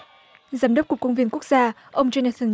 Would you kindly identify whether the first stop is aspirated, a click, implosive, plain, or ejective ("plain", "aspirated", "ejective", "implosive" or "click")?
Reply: implosive